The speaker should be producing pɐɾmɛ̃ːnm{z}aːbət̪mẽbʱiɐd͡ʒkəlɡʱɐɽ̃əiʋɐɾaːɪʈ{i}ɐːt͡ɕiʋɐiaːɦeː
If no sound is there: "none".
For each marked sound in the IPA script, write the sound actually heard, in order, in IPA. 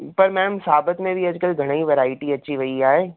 s, i

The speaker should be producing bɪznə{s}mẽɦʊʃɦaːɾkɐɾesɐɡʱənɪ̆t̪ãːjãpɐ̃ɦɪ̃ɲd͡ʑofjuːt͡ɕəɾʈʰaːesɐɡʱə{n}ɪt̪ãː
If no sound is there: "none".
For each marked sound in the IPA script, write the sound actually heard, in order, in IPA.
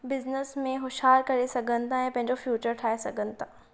s, n

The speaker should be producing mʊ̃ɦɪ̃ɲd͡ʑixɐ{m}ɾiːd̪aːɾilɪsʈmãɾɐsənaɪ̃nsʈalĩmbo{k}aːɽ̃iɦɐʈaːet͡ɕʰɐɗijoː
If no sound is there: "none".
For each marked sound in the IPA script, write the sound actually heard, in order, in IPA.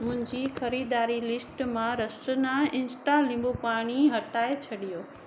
none, p

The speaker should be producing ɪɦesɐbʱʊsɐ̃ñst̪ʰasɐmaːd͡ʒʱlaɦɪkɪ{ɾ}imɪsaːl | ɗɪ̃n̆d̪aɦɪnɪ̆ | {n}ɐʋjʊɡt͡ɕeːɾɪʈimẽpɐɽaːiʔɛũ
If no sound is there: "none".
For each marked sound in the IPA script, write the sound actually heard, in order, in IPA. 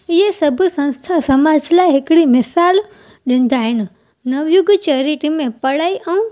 ɽ, n

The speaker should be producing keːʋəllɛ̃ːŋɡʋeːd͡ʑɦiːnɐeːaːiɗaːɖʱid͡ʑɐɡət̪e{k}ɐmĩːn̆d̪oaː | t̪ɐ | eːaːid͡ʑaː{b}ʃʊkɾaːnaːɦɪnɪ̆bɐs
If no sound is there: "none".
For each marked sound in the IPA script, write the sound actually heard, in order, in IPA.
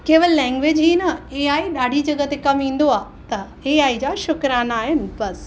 k, none

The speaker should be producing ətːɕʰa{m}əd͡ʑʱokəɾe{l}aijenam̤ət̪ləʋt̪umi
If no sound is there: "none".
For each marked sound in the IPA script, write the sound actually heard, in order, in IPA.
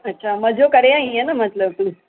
m, none

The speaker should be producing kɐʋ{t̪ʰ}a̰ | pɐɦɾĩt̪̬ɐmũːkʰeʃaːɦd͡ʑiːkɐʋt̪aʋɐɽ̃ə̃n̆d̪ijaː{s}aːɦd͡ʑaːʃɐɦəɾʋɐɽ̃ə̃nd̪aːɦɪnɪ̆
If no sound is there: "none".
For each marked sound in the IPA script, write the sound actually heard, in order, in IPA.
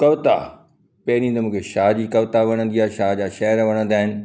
t̪, ʃ

